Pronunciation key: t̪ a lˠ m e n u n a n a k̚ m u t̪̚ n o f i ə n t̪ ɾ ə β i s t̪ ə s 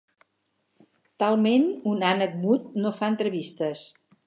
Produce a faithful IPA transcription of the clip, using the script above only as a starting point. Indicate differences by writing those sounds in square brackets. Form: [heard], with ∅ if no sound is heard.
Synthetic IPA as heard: t̪ a lˠ m e n u n a n [ə] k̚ m u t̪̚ n o f [a] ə n t̪ ɾ ə β i s t̪ ə s